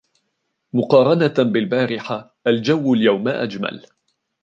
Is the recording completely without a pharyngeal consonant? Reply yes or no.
no